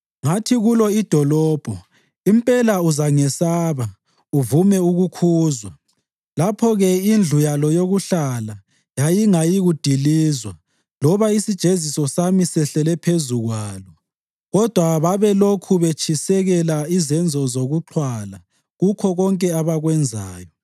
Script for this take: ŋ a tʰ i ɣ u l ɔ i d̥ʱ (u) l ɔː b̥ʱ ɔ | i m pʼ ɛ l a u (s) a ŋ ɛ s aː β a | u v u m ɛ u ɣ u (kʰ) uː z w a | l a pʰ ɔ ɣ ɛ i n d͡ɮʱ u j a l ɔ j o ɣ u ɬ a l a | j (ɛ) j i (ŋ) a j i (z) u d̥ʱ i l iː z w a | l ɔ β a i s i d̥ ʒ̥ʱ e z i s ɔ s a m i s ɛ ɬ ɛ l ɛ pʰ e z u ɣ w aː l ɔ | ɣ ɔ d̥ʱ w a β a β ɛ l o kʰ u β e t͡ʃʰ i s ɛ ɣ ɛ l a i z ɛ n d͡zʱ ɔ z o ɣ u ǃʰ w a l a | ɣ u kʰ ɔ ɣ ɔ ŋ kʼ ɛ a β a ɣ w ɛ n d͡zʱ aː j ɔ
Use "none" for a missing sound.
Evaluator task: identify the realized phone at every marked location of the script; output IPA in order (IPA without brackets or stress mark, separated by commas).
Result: ɔ, z, kʰ, a, ŋ, ɣ